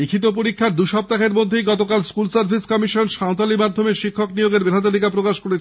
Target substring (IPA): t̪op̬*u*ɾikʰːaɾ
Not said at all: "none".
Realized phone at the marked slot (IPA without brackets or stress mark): o